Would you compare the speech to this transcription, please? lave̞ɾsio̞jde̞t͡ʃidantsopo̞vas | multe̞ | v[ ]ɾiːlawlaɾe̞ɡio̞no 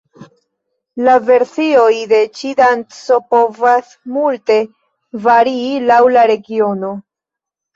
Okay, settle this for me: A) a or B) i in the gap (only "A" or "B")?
A